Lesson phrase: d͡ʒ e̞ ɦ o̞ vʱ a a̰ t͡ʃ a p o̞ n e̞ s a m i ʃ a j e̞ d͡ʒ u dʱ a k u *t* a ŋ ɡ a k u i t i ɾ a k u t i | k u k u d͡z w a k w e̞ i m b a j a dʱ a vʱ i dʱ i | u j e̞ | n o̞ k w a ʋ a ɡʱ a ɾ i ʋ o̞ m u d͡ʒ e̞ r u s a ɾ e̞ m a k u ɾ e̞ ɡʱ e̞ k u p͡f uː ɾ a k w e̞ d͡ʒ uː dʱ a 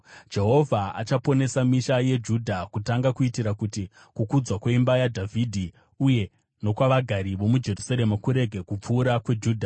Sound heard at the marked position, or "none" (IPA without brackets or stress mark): t